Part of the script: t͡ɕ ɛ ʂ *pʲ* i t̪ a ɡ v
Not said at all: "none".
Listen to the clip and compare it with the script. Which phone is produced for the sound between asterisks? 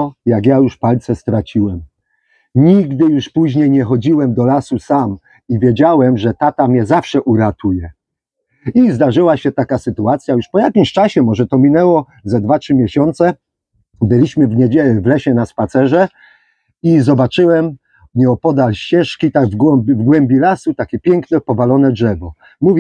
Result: kʲ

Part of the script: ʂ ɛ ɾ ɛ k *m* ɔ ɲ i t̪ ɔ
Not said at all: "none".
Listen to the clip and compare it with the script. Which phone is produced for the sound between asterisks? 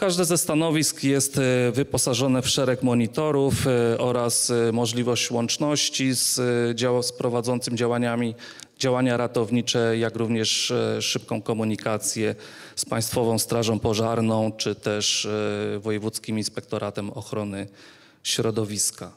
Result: m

